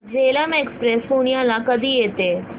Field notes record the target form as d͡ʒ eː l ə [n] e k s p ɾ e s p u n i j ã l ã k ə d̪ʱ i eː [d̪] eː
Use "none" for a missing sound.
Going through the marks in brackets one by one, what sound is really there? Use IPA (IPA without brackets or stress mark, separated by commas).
m, t̪